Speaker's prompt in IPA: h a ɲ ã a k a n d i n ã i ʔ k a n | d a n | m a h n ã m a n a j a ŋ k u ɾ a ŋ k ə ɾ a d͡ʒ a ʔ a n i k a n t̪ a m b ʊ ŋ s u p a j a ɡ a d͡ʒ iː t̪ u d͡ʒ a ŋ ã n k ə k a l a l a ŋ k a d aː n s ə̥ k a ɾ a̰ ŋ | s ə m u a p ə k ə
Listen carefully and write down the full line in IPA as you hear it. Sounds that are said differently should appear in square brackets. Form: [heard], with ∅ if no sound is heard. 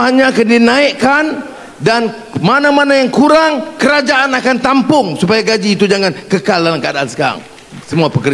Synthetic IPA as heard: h a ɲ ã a k a n d i n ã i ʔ k a n | d a n | m a [∅] n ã m a n a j a ŋ k u ɾ a ŋ k ə ɾ a d͡ʒ a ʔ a n [a] k a n t̪ a m [p] ʊ ŋ s u p a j a ɡ a d͡ʒ iː t̪ u d͡ʒ a ŋ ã n k ə k a l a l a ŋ k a d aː n s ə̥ k a ɾ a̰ ŋ | s ə m u a p ə k ə